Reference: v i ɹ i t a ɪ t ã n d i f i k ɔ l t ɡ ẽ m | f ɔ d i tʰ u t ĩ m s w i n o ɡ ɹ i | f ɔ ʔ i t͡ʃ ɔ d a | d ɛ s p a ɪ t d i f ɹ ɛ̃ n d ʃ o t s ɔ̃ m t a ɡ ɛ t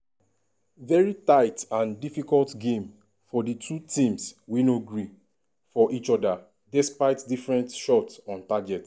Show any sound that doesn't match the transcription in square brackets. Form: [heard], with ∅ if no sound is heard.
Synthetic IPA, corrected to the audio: v [ɛ] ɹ i t a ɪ t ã n d i f i k ɔ l t ɡ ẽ m | f ɔ d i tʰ u t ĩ m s w i n o ɡ ɹ i | f ɔ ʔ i t͡ʃ ɔ d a | d ɛ s p a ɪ t d i f ɹ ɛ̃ n [t] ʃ [ɔ] t s ɔ̃ [n] t a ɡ ɛ t